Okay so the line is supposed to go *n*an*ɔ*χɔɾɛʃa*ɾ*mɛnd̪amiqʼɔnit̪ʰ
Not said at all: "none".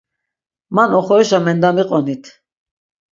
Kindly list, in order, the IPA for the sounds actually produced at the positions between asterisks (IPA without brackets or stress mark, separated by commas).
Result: m, ɔ, none